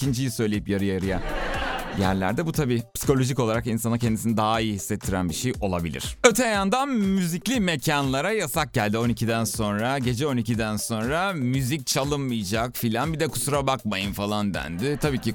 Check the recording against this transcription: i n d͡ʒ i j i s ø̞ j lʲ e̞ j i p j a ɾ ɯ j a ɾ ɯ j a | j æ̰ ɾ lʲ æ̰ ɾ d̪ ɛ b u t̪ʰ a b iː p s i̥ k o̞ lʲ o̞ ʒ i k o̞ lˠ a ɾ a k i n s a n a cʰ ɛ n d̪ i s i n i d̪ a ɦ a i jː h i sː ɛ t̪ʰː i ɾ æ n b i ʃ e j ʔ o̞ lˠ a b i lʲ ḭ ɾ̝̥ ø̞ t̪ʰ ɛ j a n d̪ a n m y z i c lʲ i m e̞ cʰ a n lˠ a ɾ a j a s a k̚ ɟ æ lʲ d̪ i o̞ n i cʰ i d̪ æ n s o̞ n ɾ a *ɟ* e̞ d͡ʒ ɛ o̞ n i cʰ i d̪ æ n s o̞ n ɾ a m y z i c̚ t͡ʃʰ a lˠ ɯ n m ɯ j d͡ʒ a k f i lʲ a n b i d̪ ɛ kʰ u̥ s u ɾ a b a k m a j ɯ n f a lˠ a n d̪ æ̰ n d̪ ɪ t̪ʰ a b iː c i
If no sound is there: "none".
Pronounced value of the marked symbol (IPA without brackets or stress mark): ɟ